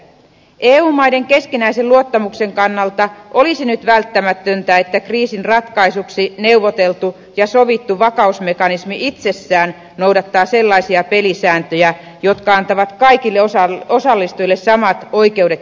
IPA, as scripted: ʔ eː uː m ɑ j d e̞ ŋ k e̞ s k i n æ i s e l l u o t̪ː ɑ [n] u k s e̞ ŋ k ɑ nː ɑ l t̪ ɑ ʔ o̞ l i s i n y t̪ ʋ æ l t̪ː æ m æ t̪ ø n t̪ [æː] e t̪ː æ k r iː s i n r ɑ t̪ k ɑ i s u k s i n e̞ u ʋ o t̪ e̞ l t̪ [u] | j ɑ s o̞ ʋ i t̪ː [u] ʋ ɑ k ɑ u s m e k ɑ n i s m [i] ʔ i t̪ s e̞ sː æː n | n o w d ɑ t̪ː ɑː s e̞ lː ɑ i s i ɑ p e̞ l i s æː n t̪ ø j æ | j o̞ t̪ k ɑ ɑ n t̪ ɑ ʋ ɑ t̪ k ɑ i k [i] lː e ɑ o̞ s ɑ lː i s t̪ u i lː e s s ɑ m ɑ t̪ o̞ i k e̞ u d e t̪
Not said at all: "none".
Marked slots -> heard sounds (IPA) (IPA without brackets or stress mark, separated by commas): m, æ, u, u, i, i